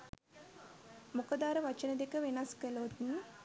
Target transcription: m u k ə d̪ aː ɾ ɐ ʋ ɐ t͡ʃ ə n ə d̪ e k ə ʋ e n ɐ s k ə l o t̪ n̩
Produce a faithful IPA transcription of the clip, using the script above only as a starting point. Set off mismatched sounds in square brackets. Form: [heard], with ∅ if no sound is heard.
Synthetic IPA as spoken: m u k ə d̪ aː ɾ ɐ ʋ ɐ t͡ʃ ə n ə d̪ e k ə ʋ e n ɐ s k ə l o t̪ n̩